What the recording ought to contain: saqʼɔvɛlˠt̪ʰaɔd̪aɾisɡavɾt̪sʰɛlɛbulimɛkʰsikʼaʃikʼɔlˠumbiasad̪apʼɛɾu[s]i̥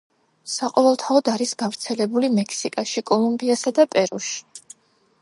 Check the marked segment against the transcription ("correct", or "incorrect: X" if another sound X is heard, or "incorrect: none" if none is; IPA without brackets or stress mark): incorrect: ʃ